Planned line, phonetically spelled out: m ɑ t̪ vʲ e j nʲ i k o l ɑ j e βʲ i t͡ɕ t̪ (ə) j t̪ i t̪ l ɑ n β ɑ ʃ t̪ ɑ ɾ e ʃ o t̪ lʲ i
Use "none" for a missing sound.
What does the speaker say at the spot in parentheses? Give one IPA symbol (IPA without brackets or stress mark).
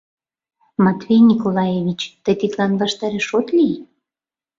ə